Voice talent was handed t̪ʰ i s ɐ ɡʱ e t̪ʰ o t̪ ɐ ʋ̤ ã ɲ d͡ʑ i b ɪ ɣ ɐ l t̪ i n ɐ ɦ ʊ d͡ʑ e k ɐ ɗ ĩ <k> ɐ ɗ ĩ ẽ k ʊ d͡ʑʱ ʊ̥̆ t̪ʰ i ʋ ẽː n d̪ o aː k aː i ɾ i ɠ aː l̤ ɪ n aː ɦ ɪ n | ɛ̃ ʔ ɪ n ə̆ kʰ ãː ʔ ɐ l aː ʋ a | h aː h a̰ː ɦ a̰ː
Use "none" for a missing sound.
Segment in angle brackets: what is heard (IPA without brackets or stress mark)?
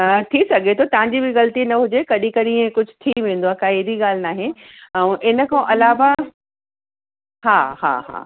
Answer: k